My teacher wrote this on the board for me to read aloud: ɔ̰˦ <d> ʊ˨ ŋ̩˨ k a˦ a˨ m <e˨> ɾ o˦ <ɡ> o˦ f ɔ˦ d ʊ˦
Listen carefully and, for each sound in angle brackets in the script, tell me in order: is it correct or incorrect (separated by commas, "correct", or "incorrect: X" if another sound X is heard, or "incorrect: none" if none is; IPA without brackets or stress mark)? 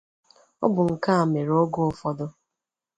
incorrect: b, correct, correct